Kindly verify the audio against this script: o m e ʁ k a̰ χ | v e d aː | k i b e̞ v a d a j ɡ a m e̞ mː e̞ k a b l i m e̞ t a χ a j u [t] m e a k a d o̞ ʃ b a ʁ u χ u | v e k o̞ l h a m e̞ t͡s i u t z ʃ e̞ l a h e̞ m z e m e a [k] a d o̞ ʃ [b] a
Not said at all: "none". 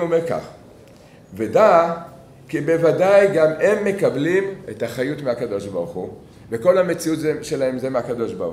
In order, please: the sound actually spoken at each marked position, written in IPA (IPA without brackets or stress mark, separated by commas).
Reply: t, k, b